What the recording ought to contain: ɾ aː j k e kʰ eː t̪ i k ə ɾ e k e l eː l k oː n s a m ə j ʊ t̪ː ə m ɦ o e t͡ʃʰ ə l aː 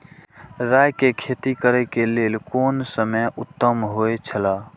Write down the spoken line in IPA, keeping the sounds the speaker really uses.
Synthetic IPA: ɾ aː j k e kʰ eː t̪ i k ə ɾ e k e l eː l k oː n s ə m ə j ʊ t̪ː ə m ɦ o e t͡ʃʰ ə l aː

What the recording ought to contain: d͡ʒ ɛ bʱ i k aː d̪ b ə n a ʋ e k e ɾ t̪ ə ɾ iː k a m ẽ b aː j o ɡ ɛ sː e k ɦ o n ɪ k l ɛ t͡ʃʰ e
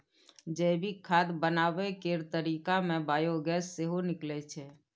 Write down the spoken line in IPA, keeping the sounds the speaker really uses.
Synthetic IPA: d͡ʒ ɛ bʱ i kʰ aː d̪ b ə n a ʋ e k e ɾ t̪ ə ɾ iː k a m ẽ b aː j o ɡ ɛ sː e ɦ o n ɪ k l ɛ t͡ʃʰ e

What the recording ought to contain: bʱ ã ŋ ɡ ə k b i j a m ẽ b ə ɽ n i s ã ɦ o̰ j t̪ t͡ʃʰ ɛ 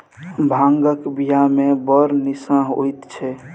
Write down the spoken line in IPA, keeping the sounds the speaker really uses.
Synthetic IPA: bʱ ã ŋ ɡ ə k b i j a m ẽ b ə ɾ n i s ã ɦ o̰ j t̪ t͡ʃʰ ɛ

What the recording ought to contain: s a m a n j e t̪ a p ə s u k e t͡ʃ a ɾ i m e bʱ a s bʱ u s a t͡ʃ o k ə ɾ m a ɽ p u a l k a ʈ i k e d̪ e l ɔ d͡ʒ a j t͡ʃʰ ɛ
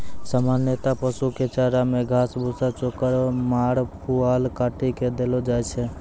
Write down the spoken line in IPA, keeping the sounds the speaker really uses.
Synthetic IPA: s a m a n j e t̪ a p ə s u k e t͡ʃ a ɾ a m e ɡʱ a s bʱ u s a t͡ʃ o k ə ɾ m a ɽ p u a l k a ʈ i k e d̪ e l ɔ d͡ʒ a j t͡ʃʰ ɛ

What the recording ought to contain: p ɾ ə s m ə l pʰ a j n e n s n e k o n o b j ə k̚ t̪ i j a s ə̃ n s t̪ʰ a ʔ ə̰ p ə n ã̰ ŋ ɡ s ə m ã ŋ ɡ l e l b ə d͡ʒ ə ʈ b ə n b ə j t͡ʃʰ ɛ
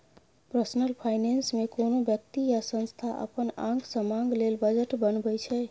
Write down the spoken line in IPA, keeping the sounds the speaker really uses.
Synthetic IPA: p ɾ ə s n ə l pʰ a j n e n s m e k o n o b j ə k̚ t̪ i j a s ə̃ n s t̪ʰ a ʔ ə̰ p ə n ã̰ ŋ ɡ s ə m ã ŋ ɡ l e l b ə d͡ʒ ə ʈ b ə n b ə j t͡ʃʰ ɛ

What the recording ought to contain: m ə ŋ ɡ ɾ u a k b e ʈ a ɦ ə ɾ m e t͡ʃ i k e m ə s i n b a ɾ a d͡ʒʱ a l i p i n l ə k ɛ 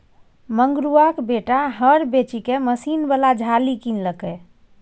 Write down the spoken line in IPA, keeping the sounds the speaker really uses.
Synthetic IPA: m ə ŋ ɡ ɾ u a k b e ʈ a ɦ ə ɾ b e t͡ʃ i k e m ə s i n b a l a d͡ʒʱ a l i k i n l ə k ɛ

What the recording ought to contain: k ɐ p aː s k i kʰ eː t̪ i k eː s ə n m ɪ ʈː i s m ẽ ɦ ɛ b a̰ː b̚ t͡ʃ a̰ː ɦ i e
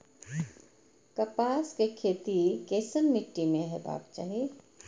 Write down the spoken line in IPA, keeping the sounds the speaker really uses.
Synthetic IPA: k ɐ p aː s k e kʰ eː t̪ i k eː s ə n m ɪ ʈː i m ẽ ɦ ɛ b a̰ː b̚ t͡ʃ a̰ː ɦ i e

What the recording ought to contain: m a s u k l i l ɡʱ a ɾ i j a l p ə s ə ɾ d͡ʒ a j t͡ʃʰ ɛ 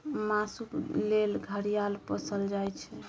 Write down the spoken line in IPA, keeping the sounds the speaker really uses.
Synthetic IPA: m a s u k l e l ɡʱ ə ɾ i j a l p ə s ə l d͡ʒ a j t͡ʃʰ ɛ

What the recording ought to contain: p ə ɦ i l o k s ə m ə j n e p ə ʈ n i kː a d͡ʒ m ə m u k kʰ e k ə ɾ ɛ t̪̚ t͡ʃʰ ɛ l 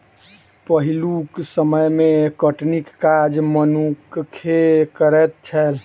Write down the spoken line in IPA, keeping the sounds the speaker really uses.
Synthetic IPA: p ə ɦ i l u k s ə m ə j m e k ə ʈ n i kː a d͡ʒ m ə n u k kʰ e k ə ɾ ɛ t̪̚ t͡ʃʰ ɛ l

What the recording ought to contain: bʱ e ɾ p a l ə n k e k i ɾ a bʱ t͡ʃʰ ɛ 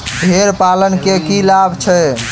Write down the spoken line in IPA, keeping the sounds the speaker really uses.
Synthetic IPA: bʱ e ɾ p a l ə n k e k i l a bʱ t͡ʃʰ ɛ

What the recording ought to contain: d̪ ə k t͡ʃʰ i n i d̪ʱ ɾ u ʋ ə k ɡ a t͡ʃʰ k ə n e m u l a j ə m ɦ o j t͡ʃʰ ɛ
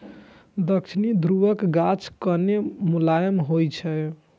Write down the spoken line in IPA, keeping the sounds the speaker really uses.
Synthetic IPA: d̪ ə k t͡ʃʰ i n i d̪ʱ ɾ u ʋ ə k ɡ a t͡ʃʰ k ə n e m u l a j ə m ɦ o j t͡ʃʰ ɛ

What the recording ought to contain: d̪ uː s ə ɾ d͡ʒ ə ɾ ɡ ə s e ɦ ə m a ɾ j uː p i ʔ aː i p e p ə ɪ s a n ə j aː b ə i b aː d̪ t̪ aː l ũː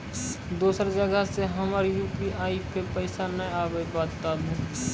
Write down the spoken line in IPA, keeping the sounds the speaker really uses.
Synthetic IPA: d̪ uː s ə ɾ d͡ʒ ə ɡ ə s e ɦ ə m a ɾ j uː p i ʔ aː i p e p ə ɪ s a n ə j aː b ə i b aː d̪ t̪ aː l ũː

